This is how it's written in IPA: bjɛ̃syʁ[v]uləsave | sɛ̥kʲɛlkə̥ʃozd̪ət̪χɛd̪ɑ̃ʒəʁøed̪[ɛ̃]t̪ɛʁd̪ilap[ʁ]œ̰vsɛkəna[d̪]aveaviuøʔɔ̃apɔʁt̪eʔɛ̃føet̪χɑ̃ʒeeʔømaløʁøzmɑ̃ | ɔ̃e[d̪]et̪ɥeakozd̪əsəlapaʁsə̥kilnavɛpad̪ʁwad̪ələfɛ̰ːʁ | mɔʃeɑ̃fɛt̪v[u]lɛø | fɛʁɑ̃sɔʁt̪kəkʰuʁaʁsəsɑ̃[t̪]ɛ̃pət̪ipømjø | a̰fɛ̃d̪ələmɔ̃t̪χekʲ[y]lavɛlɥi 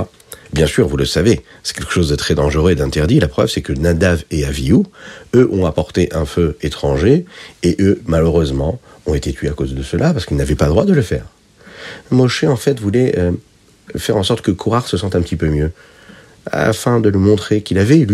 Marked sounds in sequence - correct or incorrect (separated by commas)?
correct, correct, incorrect, correct, incorrect, correct, correct, incorrect